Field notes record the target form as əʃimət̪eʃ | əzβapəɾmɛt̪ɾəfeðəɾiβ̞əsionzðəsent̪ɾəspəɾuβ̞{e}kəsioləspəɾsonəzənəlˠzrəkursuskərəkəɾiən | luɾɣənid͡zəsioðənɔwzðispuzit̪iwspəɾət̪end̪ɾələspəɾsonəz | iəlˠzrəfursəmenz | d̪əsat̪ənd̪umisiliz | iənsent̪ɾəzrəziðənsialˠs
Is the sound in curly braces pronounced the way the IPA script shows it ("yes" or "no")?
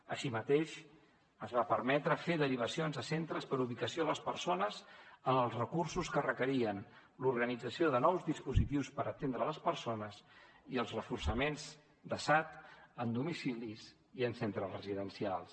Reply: no